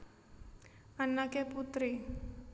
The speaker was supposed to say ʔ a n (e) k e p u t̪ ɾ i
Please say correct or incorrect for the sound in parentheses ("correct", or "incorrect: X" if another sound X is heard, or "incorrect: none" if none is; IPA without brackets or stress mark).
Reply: incorrect: a